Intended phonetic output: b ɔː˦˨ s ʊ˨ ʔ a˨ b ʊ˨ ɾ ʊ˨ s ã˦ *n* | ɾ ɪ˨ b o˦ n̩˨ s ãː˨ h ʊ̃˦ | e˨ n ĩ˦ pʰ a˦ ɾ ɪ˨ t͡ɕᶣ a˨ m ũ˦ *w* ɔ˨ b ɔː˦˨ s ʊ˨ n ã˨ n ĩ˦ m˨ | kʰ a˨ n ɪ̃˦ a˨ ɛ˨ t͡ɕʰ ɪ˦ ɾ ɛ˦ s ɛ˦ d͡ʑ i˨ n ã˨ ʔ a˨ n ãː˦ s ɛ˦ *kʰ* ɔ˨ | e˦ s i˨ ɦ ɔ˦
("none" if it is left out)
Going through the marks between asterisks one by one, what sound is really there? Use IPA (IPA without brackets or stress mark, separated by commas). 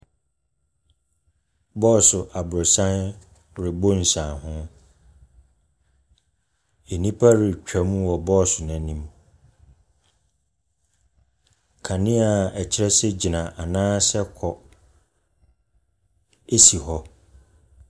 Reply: n, w, kʰ